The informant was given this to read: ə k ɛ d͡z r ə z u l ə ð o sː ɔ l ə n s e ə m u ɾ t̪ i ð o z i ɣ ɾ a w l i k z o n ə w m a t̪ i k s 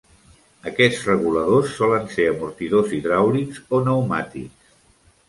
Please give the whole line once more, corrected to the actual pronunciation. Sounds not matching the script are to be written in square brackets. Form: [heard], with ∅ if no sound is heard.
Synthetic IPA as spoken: ə k ɛ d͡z r ə [ɣ] u l ə ð o sː ɔ l ə n s e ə m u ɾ t̪ i ð o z i [ð] ɾ a w l i k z o n ə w m a t̪ i k s